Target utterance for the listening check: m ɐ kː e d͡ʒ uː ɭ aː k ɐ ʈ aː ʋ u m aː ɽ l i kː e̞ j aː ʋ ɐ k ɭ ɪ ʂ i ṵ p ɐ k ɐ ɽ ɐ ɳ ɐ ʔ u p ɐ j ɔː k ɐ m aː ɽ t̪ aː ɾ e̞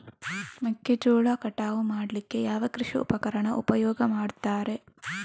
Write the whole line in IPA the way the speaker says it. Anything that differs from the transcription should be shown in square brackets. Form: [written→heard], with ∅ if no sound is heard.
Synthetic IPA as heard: m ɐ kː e d͡ʒ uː ɭ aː k ɐ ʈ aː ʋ u m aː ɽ l i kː e̞ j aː ʋ ɐ k [ɭ→ɾ] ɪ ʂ i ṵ p ɐ k ɐ [ɽ→ɾ] ɐ ɳ ɐ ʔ u p ɐ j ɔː [k→ɡ] ɐ m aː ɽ t̪ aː ɾ e̞